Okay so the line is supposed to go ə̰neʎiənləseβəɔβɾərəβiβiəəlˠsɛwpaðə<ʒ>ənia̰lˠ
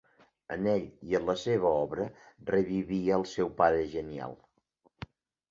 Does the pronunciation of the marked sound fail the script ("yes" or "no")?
no